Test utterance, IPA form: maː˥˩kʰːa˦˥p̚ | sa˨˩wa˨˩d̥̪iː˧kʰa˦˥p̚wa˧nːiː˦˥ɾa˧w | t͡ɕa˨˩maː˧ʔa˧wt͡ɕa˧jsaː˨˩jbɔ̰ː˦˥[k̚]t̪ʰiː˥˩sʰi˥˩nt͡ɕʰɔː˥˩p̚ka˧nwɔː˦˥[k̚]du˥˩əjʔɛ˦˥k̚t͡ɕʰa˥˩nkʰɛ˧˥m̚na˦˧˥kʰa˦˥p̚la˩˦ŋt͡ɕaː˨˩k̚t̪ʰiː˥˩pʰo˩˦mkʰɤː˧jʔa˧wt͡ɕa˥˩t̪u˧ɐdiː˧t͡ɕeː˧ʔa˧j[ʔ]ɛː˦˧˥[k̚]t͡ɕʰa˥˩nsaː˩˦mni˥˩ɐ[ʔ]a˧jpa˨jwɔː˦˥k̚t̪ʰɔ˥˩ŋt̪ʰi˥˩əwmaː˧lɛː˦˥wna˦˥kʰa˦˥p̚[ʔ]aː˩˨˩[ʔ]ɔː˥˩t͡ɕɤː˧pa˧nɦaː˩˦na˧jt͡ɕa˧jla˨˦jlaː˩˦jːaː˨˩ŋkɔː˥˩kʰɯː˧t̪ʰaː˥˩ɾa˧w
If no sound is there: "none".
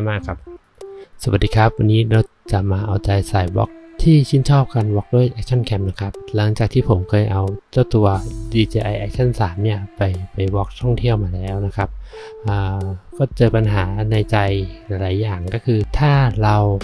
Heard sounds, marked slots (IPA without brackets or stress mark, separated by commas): k̚, k̚, ʔ, k̚, p, ʔ, k